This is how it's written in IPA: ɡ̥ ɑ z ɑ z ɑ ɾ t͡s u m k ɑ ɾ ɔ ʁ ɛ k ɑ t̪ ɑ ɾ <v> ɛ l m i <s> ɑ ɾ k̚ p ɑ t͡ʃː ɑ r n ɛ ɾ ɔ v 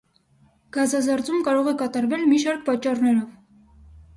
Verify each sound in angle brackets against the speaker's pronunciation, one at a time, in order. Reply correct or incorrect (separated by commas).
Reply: correct, incorrect